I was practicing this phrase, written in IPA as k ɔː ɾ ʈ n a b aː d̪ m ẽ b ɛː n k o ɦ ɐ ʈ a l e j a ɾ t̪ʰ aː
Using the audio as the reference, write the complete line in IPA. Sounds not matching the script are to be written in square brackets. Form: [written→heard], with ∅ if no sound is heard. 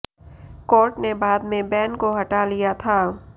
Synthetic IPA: k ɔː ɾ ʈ n [a→e] b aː d̪ m ẽ b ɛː n k o ɦ ɐ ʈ a l [e→i] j a [ɾ→∅] t̪ʰ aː